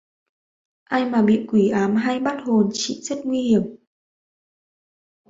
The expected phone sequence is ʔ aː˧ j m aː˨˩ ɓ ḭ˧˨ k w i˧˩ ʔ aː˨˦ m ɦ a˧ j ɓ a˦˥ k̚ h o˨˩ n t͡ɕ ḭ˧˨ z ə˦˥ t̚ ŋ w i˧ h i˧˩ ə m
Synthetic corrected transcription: ʔ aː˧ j m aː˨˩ ɓ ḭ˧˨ k w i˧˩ ʔ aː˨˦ m ɦ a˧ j ɓ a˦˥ t̚ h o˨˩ n t͡ɕ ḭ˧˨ z ə˦˥ t̚ ŋ w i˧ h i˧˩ ə m